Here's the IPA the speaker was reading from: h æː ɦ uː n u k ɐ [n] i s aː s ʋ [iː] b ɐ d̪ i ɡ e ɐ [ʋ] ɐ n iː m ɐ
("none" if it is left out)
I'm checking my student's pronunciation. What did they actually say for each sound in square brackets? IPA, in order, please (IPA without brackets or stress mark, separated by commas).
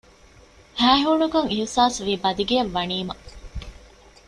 ŋ, iː, ʋː